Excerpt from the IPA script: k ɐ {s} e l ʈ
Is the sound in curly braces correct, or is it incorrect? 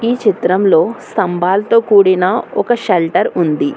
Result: incorrect